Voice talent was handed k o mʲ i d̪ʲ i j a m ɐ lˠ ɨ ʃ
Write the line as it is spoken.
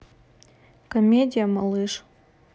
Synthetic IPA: k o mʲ e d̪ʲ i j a m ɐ lˠ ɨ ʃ